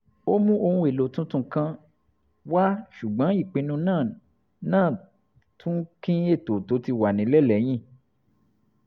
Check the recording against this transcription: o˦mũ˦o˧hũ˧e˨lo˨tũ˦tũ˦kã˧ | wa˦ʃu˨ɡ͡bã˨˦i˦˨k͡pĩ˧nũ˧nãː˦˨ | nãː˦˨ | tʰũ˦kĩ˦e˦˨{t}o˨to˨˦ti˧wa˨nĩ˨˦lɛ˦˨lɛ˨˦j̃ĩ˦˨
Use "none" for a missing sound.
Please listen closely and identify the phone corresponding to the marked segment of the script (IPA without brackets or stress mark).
t